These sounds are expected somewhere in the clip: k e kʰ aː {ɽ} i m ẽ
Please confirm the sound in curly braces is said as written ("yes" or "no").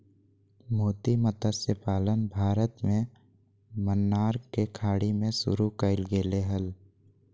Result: yes